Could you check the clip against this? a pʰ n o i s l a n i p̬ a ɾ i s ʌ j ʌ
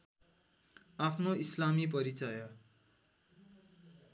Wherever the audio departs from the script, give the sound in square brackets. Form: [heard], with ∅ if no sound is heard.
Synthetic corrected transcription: a pʰ n o i s l a [m] i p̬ [ʌ] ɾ i [t͡s] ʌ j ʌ